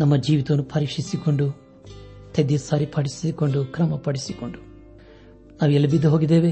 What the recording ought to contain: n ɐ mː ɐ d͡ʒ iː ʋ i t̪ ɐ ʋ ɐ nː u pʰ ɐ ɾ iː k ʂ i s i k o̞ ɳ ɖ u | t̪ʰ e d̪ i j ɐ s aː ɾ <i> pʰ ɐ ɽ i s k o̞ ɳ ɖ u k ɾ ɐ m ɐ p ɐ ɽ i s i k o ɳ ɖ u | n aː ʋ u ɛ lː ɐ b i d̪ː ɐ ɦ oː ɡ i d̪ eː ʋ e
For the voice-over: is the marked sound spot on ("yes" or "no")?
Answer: yes